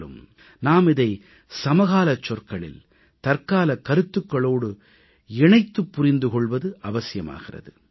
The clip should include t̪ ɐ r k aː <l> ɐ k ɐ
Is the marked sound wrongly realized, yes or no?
no